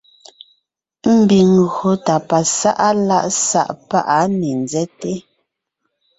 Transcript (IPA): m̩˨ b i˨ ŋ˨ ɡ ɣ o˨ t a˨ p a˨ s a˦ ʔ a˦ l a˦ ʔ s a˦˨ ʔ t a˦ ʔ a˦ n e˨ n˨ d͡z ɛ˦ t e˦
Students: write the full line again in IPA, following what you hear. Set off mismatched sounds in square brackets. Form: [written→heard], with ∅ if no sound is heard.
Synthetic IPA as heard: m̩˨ b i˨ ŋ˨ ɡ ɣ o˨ t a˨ p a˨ s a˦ ʔ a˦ l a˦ ʔ s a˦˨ ʔ [t→p] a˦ ʔ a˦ n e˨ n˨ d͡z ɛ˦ t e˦